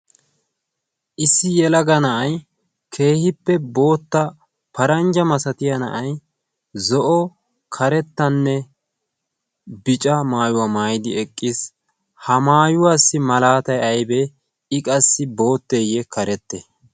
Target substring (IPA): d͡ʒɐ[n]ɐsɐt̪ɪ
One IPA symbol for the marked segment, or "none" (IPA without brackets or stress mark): m